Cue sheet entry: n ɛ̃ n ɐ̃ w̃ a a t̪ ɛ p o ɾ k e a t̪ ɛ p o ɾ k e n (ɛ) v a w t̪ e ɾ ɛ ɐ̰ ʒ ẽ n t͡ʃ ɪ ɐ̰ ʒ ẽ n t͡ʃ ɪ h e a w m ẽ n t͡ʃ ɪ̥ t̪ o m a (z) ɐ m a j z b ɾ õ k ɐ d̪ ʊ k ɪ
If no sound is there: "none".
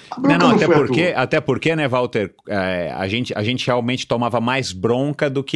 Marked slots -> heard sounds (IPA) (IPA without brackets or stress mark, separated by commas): ɛ, v